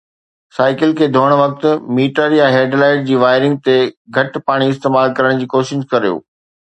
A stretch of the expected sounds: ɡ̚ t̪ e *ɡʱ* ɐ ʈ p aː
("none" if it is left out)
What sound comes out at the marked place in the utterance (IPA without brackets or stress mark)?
ɡʱ